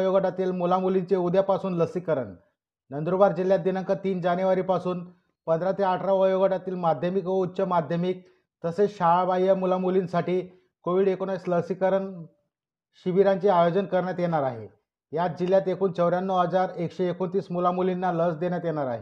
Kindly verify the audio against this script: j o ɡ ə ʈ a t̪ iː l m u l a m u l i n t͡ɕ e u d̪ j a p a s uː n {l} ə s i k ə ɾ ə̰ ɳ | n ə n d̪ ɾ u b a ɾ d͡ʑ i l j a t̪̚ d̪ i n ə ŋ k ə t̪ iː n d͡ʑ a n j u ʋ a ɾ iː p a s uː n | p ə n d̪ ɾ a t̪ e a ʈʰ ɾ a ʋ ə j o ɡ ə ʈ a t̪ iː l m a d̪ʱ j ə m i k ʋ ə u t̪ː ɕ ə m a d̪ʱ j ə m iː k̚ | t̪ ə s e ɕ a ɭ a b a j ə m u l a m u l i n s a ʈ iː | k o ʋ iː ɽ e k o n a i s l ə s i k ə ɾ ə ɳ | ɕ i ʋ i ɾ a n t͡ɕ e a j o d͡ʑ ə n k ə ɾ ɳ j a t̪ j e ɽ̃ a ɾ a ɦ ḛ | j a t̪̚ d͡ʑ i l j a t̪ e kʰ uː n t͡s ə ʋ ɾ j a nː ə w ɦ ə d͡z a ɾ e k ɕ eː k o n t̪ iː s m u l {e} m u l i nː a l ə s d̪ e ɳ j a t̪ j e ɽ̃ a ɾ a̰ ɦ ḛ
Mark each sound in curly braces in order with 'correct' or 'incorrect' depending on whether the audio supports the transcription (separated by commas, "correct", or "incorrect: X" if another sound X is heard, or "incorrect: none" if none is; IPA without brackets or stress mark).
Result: correct, incorrect: a